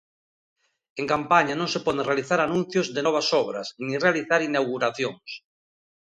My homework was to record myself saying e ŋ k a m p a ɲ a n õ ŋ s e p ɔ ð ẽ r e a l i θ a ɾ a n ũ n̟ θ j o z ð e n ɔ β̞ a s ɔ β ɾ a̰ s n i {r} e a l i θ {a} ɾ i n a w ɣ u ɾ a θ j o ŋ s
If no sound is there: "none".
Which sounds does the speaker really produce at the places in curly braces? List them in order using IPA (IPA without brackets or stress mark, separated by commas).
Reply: r, a